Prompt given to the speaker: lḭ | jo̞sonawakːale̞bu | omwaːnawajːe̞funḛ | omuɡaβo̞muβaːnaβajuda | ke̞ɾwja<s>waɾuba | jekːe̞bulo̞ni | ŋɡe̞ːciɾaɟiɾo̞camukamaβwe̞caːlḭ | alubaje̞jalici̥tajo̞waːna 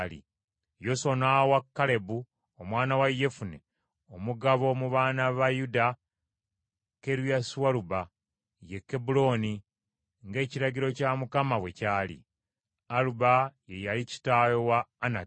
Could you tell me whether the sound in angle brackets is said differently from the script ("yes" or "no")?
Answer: no